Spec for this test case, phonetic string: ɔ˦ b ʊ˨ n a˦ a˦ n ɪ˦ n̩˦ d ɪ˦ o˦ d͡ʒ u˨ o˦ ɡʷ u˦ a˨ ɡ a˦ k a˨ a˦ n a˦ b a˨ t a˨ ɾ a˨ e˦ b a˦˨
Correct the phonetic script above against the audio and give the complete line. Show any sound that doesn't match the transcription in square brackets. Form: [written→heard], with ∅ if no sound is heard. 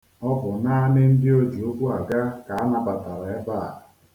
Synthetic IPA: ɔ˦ b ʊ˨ n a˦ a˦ n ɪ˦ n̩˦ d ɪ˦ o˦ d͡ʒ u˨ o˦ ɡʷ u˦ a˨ ɡ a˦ k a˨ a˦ n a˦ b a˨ t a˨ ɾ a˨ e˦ b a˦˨

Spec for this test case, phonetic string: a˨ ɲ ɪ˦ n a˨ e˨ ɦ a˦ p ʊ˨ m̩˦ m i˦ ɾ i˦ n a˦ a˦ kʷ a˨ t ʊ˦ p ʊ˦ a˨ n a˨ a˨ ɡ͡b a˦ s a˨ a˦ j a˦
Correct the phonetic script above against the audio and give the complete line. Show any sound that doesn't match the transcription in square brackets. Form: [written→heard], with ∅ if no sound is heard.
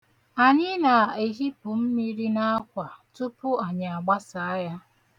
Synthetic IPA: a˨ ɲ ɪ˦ n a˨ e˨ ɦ [a˦→i˦] p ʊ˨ m̩˦ m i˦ ɾ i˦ n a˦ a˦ kʷ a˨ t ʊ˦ p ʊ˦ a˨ [n→ɲ] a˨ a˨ ɡ͡b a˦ s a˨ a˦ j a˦

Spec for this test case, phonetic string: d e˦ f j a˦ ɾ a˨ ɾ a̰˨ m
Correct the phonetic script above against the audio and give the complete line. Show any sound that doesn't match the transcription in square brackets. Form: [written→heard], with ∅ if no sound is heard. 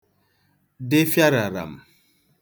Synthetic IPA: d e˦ f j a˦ ɾ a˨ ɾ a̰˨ m

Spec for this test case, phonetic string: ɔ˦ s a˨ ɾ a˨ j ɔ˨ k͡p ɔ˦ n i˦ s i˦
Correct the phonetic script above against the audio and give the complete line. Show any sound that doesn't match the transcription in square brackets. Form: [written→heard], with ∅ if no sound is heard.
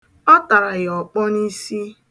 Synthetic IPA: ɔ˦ [s→t] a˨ ɾ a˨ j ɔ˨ k͡p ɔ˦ n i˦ s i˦

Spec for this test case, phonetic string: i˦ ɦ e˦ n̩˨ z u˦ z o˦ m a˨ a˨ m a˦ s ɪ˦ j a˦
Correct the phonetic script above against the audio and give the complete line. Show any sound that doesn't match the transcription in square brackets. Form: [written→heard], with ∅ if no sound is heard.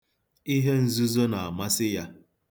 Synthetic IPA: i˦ ɦ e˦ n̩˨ z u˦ z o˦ [m→n] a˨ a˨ m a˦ s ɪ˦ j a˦

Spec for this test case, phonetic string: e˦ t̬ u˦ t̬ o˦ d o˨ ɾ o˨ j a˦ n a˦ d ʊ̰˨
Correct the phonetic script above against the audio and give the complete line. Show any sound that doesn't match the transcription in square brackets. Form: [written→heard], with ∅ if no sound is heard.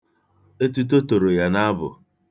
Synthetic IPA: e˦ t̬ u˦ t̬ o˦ [d→t] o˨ ɾ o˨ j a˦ n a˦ [d→b] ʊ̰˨

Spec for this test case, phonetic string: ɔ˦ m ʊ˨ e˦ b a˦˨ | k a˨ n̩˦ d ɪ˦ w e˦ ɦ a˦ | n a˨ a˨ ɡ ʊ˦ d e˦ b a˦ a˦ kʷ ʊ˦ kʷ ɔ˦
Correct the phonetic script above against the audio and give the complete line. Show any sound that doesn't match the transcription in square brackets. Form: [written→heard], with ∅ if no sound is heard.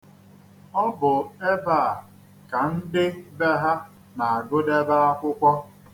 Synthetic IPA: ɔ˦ [m→b] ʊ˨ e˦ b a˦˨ | k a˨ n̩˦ d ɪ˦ [w→b] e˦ ɦ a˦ | n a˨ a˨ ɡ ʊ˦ d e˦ b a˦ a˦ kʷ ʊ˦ kʷ ɔ˦

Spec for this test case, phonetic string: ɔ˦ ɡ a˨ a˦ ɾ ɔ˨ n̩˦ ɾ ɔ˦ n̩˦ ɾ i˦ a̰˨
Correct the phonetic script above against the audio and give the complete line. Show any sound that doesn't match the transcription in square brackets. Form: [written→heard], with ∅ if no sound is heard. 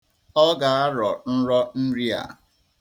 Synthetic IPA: ɔ˦ ɡ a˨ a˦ ɾ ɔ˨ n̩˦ ɾ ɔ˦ n̩˦ ɾ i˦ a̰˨

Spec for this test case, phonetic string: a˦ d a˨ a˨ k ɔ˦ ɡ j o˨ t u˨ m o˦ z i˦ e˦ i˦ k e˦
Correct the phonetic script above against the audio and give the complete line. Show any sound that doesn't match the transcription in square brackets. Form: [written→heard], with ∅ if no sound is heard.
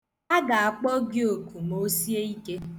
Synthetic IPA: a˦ [d→ɡ] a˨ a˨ [k→k͡p] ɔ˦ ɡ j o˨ [t→k] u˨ m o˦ [z→s] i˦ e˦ i˦ k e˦

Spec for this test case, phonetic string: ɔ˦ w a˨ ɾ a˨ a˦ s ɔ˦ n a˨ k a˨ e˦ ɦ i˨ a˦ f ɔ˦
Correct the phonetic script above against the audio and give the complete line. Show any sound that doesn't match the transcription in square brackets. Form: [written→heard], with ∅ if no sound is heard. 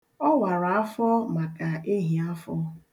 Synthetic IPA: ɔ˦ w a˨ ɾ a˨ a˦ [s→f] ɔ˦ [n→m] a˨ k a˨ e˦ ɦ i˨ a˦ f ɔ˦

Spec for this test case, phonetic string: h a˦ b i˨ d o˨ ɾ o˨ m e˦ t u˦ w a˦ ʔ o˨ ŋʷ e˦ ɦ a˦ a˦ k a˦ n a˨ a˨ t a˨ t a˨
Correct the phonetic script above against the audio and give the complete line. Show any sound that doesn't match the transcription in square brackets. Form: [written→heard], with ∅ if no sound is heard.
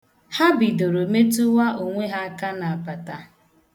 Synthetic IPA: h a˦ b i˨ d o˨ ɾ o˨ m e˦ t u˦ w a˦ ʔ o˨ ŋʷ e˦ ɦ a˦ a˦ k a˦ n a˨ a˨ [t→p] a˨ t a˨

